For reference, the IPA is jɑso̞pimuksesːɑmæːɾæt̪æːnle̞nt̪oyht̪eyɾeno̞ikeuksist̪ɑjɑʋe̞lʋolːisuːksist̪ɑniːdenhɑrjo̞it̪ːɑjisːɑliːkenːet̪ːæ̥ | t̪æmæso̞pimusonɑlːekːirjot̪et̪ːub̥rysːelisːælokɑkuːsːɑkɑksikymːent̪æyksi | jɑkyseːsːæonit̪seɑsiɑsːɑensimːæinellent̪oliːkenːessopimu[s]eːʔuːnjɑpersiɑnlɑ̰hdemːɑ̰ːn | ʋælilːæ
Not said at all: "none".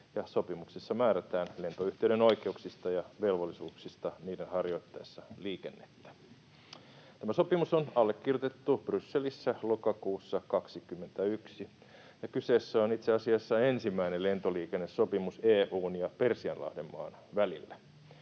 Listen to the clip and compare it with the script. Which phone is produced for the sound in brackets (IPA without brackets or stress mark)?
s